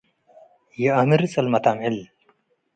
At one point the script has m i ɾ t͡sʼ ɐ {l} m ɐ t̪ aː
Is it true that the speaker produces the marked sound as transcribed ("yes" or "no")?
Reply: yes